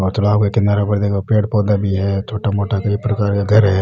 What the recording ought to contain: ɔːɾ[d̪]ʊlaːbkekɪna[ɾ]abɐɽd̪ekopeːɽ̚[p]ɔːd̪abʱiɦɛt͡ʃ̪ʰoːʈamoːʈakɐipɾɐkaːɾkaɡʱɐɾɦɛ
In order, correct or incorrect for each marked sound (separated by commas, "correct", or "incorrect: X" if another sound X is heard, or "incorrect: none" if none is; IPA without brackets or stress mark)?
incorrect: t̪, correct, correct